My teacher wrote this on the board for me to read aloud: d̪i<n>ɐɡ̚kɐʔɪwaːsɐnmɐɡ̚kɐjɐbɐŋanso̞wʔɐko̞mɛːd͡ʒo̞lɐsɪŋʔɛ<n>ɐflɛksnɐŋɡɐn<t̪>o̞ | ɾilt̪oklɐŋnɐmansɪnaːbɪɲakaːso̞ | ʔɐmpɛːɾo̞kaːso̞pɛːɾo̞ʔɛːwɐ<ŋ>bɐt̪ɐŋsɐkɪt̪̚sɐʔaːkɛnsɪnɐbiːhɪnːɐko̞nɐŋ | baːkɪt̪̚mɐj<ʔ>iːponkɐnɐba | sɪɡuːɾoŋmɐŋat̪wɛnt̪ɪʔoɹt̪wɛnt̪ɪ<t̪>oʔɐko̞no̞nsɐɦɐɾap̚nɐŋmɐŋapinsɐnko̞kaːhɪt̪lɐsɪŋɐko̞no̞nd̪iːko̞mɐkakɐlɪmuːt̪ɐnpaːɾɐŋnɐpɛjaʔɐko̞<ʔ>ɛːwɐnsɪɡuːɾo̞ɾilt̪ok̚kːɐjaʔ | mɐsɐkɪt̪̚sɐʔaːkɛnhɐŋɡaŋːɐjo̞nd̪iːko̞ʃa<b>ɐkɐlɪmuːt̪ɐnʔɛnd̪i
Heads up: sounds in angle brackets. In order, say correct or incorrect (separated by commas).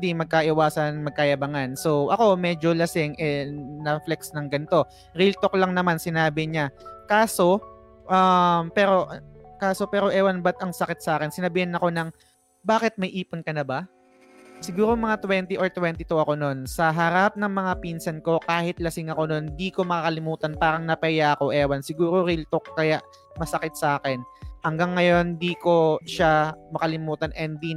incorrect, correct, correct, incorrect, correct, correct, correct, incorrect